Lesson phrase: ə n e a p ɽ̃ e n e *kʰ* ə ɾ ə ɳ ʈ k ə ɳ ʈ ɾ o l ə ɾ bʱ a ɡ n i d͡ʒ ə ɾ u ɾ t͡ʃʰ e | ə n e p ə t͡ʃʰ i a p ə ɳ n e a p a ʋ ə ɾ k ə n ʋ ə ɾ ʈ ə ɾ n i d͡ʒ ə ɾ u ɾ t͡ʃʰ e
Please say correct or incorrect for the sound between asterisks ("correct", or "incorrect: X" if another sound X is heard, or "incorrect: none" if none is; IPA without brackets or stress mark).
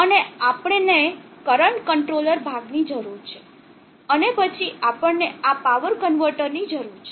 incorrect: k